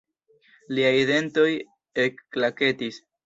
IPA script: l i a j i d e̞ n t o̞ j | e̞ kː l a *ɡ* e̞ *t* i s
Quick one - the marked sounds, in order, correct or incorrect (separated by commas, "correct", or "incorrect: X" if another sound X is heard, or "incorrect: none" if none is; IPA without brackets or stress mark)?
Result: incorrect: k, correct